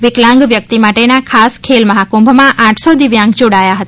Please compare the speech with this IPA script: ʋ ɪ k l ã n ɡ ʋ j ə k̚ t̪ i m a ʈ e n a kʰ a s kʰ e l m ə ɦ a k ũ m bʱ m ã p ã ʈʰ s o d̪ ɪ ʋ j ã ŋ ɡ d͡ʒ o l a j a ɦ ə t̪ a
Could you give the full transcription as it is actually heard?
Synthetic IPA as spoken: ʋ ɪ k l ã ŋ ɡ ʋ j ə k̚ t̪ i m a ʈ e n a kʰ a s kʰ e l m ə ɦ a k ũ m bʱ m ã ʔ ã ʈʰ s o d̪ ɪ ʋ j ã ŋ ɡ d͡ʒ o ɽ a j a ɦ ə t̪ a